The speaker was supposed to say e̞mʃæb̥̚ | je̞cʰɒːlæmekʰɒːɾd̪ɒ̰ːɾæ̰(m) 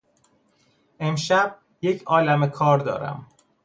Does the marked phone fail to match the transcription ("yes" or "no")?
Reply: no